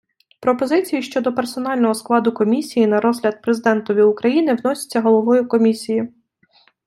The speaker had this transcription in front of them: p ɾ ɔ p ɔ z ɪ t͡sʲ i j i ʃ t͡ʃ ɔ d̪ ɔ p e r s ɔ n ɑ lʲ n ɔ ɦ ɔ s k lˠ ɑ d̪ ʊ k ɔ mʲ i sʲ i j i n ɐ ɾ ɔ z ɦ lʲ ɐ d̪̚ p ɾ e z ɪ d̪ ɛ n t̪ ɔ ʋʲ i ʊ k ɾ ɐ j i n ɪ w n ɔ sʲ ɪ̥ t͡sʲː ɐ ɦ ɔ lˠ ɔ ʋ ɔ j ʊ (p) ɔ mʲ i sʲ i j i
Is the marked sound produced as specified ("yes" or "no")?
no